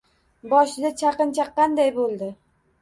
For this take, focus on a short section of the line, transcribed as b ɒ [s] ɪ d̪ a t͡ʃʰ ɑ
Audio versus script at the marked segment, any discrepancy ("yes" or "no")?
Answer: yes